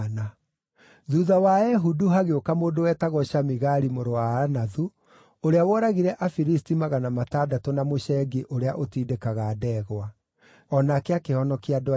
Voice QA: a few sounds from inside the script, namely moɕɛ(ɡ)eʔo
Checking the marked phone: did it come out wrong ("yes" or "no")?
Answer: no